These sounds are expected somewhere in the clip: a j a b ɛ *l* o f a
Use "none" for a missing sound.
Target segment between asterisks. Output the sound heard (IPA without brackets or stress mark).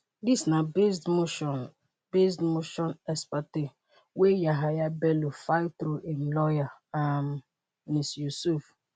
l